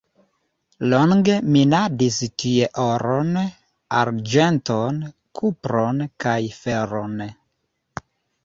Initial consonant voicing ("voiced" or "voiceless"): voiced